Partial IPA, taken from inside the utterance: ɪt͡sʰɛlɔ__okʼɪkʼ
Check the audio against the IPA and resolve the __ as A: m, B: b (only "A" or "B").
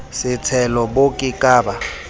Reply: B